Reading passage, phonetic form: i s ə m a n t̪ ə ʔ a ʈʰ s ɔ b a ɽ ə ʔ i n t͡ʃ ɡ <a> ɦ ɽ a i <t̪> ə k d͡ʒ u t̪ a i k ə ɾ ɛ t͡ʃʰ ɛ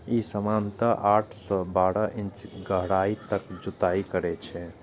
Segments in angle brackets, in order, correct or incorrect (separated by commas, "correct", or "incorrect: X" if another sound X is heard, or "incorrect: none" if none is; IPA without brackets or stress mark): incorrect: ə, correct